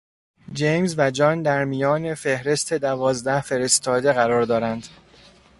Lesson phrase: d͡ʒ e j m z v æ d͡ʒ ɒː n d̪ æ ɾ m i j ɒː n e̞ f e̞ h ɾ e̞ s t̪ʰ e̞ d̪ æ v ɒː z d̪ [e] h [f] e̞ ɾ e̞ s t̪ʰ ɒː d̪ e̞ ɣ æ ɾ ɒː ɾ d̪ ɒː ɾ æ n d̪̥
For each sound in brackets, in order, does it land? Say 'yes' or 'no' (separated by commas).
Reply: no, yes